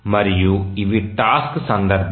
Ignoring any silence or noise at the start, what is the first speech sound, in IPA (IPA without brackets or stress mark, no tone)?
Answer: m